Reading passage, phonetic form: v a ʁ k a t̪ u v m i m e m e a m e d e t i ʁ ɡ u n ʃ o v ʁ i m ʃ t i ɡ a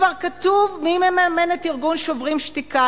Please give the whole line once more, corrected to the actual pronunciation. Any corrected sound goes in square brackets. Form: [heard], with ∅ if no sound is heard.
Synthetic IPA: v a ʁ k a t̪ u v m i m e m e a m e [n] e t i ʁ ɡ u n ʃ o v ʁ i m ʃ t i [k] a